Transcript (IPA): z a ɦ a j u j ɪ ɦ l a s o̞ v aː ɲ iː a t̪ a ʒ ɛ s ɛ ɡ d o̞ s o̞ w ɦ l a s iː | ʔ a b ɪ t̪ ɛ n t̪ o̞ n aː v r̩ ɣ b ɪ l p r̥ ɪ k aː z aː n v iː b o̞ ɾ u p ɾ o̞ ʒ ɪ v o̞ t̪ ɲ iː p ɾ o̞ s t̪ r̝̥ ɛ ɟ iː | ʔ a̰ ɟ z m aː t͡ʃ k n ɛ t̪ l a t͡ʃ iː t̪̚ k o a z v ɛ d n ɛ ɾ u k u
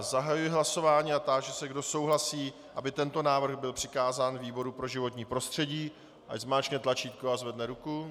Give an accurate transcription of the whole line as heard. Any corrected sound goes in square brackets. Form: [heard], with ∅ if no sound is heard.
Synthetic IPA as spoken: z a ɦ a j u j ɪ ɦ l a s o̞ v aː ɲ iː a t̪ a ʒ ɛ s ɛ ɡ d o̞ s o̞ w ɦ l a s iː | ʔ a b ɪ t̪ ɛ n t̪ o̞ n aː v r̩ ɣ b ɪ l p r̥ ɪ k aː z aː n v iː b o̞ ɾ u p ɾ o̞ ʒ ɪ v o̞ t̪ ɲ iː p ɾ o̞ s t̪ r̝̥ ɛ ɟ iː | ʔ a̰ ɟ z m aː t͡ʃ k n ɛ t̪ l a t͡ʃ iː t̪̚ k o a z v ɛ d n ɛ ɾ u k u